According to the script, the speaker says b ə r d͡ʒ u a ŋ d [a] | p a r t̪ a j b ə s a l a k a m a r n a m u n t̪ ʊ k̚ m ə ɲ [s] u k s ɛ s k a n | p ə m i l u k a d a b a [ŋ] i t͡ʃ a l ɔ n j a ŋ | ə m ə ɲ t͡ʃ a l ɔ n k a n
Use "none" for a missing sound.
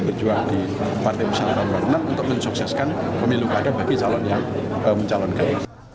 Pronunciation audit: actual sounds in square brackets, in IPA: i, s, ɡ

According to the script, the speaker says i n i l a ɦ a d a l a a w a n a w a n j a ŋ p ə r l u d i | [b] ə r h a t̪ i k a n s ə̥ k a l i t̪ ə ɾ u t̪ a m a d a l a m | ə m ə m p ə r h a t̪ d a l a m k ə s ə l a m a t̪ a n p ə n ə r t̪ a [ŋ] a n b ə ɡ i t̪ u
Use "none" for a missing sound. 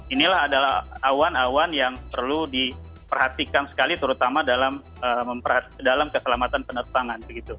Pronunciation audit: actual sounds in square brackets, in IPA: p, ŋ

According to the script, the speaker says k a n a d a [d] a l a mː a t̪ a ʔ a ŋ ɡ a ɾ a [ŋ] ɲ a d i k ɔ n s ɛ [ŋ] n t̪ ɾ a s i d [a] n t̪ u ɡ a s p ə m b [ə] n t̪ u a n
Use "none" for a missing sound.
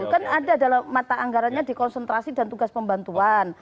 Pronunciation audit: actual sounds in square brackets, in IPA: d, n, none, a, a

